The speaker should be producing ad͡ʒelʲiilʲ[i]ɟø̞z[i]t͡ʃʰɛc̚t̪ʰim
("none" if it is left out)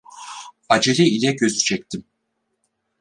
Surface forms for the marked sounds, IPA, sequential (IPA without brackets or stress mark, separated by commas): ɛ, y